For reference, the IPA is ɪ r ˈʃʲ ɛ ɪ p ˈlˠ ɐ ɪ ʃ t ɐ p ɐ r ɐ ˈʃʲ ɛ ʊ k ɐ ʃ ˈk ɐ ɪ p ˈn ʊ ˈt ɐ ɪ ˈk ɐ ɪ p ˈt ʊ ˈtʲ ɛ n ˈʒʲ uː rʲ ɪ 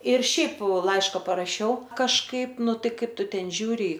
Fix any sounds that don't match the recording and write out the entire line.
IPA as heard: ɪ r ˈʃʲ ɛ ɪ p ˈlˠ ɐ ɪ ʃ k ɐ p ɐ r ɐ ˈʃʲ ɛ ʊ k ɐ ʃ ˈk ɐ ɪ p ˈn ʊ ˈt ɐ ɪ ˈk ɐ ɪ p ˈt ʊ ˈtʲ ɛ n ˈʒʲ uː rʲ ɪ